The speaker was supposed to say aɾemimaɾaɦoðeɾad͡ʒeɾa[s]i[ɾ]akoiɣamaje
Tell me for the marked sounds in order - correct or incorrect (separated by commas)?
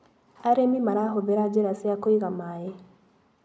correct, incorrect